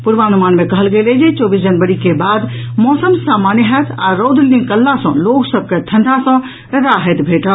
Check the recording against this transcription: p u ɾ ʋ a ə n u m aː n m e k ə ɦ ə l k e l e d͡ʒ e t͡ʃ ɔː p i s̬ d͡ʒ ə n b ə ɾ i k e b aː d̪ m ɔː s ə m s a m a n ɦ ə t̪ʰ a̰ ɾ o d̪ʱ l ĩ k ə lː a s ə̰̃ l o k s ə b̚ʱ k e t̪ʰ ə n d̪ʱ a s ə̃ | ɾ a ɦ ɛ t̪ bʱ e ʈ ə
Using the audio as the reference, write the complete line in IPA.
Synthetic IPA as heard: p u ɾ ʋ a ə n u m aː n m e k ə ɦ ə l ɡ e l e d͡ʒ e t͡ʃ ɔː b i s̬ d͡ʒ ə n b ə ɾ i k e b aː d̪ m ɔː s ə m s a m a n ɦ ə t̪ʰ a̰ ɾ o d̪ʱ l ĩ k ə lː a s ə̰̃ l o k s ə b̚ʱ k e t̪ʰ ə n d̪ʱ a s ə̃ | ɾ a ɦ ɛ t̪ bʱ e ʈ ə